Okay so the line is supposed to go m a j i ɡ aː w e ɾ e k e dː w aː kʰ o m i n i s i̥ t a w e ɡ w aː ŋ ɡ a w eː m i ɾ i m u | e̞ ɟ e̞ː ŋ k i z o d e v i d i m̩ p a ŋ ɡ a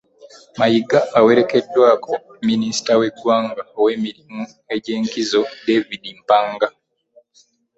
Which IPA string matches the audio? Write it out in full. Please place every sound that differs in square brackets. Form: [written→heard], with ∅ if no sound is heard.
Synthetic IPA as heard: m a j i ɡ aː w e ɾ e k e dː w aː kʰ o m i n i s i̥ t a w e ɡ w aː ŋ ɡ a w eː m i ɾ i m u | e̞ ɟ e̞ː ŋ k i z o d e v i d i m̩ p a ŋ ɡ a